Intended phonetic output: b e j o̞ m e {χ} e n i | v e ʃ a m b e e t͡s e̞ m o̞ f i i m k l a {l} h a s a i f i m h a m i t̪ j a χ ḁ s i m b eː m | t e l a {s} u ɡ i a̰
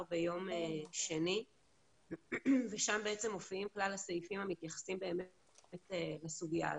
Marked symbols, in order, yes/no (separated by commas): no, yes, yes